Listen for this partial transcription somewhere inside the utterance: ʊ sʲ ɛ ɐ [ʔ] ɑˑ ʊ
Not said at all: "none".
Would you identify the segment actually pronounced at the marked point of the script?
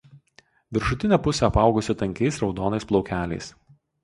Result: p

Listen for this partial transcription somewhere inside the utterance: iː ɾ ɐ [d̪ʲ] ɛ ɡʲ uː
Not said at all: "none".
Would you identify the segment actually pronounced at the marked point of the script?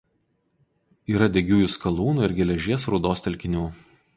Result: d̪ʲ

